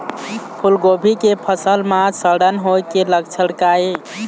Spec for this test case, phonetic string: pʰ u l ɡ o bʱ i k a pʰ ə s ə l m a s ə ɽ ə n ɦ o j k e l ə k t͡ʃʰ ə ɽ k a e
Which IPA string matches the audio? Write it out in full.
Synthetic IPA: pʰ u l ɡ o bʱ i k e pʰ ə s ə l m a s ə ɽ ə n ɦ o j k e l ə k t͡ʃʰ ə ɽ k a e